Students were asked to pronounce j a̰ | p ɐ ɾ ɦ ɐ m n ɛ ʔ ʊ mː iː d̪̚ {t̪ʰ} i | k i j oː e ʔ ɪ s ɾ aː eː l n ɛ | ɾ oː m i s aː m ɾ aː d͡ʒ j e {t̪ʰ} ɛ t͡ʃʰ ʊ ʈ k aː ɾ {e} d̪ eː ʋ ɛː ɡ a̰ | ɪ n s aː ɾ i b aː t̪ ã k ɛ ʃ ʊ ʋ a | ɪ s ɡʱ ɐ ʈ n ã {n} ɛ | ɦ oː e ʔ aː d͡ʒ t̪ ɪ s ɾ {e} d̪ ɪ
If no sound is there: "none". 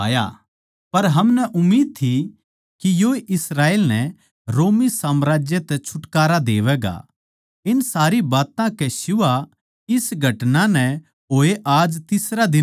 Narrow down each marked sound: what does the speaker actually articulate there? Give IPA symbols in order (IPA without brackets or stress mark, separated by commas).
t̪ʰ, t̪, a, n, a